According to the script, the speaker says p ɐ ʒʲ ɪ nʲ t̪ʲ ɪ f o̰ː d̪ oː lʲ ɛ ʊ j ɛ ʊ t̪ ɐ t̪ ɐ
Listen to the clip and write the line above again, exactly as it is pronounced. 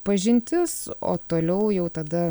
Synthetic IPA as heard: p ɐ ʒʲ ɪ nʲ t̪ʲ ɪ s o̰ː t̪ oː lʲ ɛ ʊ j ɛ ʊ t̪ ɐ d̪ ɐ

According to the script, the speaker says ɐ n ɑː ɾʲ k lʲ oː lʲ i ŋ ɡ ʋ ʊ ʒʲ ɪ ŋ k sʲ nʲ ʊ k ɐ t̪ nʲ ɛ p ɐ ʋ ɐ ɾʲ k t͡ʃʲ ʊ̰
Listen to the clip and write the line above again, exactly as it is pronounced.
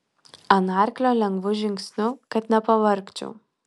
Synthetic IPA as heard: ɐ n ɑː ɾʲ k lʲ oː lʲ ɛ ŋ ɡ ʋ ʊ ʒʲ ɪ ŋ k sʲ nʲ ʊ k ɐ t̪ nʲ ɛ p ɐ ʋ ɐ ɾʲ k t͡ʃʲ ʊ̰

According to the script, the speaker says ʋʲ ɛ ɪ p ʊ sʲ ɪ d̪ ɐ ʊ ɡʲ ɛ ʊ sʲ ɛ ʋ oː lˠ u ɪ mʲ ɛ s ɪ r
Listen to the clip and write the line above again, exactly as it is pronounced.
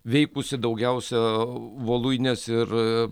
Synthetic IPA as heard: ʋʲ ɛ ɪ k ʊ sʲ ɪ d̪ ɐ ʊ ɡʲ ɛ ʊ sʲ ɛ ʋ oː lˠ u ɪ nʲ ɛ s ɪ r

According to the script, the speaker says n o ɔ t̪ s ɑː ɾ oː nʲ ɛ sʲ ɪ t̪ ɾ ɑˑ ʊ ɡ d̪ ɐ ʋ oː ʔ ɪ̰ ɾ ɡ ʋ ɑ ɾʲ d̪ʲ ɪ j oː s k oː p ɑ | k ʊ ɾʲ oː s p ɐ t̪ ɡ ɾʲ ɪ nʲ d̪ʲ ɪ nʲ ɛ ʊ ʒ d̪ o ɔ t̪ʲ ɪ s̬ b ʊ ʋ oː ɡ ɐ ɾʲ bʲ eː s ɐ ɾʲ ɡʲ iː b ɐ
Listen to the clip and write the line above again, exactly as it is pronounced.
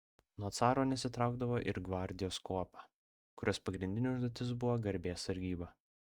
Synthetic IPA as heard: n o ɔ t̪ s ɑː ɾ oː nʲ ɛ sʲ ɪ t̪ ɾ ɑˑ ʊ ɡ d̪ ɐ ʋ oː ʔ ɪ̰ ɾ ɡ ʋ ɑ ɾʲ d̪ʲ ɪ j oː s k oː p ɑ | k ʊ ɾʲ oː s p ɐ ɡ ɾʲ ɪ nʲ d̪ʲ ɪ nʲ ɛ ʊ ʒ d̪ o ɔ t̪ʲ ɪ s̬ b ʊ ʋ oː ɡ ɐ ɾʲ bʲ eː s ɐ ɾʲ ɡʲ iː b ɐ

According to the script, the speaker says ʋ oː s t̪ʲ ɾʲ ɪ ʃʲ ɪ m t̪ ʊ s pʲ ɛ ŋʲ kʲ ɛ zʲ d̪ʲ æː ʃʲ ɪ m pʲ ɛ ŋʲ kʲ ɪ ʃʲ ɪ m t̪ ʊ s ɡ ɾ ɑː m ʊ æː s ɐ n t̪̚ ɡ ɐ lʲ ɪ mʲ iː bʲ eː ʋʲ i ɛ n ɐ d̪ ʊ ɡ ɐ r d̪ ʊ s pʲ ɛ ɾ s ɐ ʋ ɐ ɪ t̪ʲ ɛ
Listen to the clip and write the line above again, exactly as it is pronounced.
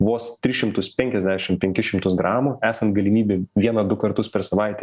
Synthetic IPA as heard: ʋ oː s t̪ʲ ɾʲ ɪ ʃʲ ɪ m t̪ ʊ s pʲ ɛ ŋʲ kʲ ɛ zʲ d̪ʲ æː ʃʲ ɪ m pʲ ɛ ŋʲ kʲ ɪ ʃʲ ɪ m t̪ ʊ s ɡ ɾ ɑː m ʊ æː s ɐ n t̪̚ ɡ ɐ lʲ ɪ mʲ iː bʲ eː ʋʲ i ɛ n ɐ d̪ ʊ k ɐ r t̪ ʊ s pʲ ɛ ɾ s ɐ ʋ ɐ ɪ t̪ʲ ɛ

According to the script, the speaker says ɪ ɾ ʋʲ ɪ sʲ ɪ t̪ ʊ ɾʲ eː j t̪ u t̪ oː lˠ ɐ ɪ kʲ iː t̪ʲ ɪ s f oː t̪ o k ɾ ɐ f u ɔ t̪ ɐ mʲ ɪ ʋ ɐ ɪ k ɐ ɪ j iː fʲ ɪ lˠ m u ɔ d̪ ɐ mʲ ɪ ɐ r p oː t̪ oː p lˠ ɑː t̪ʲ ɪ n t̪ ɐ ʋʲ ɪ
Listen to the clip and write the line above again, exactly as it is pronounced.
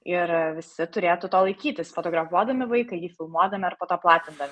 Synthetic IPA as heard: ɪ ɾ ʋʲ ɪ sʲ ɪ t̪ ʊ ɾʲ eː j t̪ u t̪ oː lˠ ɐ ɪ kʲ iː t̪ʲ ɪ s f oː t̪ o ɡ ɾ ɐ f u ɔ d̪ ɐ mʲ ɪ ʋ ɐ ɪ k ɐ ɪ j iː fʲ ɪ lˠ m u ɔ d̪ ɐ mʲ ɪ ɐ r p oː t̪ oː p lˠ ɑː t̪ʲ ɪ n d̪ ɐ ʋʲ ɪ

